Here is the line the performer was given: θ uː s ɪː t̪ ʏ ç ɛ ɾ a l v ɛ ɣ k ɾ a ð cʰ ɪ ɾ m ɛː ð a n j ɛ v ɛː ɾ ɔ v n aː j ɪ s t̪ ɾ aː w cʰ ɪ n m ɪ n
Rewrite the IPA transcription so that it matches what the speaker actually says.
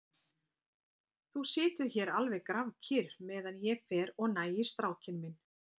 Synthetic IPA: θ u s ɪː t̪ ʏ ç ɛ ɾ a l v ɛ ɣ k ɾ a v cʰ ɪ ɾ m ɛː ð a n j ɛ f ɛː ɾ ɔ ɣ n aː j ɪ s t̪ ɾ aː w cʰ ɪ n m ɪ n